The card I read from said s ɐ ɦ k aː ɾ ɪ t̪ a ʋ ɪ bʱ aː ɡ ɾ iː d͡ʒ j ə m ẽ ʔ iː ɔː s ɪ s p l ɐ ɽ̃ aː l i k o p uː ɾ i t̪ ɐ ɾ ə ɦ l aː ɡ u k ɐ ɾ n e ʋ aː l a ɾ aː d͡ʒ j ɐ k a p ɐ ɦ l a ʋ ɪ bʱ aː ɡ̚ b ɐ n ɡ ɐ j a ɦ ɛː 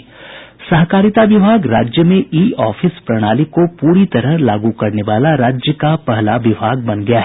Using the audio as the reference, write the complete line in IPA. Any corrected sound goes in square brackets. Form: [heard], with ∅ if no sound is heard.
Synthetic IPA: s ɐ ɦ k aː ɾ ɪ t̪ a ʋ ɪ bʱ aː ɡ ɾ [aː] d͡ʒ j ə m ẽ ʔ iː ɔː [f] ɪ s p [ɾ] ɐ ɽ̃ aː l i k o p uː ɾ i t̪ ɐ ɾ ə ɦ l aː ɡ u k ɐ ɾ n e ʋ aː l a ɾ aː d͡ʒ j [ə] k a p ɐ ɦ l a ʋ ɪ bʱ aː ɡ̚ b ɐ n ɡ ɐ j a ɦ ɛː